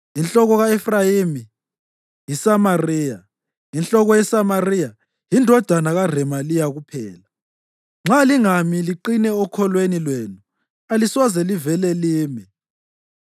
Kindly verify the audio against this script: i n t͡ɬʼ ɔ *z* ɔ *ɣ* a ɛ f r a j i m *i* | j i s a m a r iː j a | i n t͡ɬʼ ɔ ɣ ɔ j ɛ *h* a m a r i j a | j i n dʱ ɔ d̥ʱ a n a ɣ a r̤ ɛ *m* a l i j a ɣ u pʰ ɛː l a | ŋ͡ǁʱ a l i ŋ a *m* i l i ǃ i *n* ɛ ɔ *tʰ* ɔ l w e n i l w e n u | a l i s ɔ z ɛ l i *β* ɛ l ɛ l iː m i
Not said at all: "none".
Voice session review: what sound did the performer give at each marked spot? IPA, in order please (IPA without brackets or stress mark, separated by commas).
ɣ, ɣ, i, s, m, m, n, kʰ, v